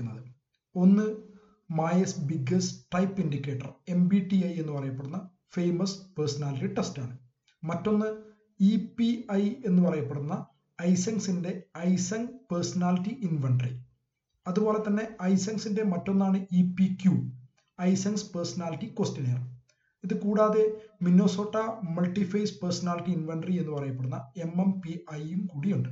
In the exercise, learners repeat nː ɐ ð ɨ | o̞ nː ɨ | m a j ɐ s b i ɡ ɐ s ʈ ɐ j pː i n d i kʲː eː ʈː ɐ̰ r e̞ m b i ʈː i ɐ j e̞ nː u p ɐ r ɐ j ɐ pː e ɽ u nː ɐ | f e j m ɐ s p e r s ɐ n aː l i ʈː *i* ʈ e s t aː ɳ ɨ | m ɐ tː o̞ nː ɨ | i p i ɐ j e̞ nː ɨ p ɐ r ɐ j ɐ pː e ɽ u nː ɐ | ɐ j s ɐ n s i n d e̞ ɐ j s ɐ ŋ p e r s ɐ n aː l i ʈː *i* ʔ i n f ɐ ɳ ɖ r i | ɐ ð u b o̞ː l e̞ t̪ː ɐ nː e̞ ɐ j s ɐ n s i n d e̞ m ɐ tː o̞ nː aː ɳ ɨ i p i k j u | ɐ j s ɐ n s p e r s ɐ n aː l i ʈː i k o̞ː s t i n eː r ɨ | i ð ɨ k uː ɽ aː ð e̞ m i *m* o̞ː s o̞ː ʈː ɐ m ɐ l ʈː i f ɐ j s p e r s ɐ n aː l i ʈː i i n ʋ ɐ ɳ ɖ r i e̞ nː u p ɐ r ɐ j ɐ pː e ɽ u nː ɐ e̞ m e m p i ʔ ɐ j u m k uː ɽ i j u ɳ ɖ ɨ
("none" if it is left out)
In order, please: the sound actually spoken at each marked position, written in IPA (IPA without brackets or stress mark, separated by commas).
i, i, n